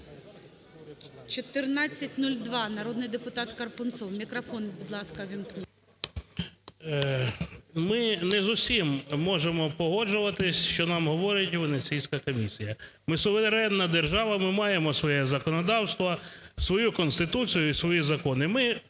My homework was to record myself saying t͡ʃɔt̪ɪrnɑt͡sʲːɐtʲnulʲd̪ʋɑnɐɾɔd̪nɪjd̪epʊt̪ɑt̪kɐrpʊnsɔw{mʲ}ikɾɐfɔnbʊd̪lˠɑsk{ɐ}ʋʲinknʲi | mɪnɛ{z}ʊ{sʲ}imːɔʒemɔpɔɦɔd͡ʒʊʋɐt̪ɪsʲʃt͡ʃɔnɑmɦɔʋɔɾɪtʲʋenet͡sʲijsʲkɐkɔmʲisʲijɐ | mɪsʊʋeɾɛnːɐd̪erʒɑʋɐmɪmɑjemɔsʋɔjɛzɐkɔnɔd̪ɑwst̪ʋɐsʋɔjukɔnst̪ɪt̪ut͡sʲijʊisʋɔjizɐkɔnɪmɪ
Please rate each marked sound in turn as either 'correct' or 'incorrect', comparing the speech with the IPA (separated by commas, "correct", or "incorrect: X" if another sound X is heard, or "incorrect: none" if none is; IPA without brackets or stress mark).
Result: correct, correct, correct, correct